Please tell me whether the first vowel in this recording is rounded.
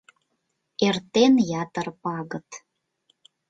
no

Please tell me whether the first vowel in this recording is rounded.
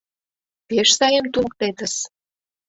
no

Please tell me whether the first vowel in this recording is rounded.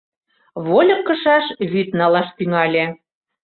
yes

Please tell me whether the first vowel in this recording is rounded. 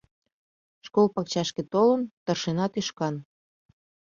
yes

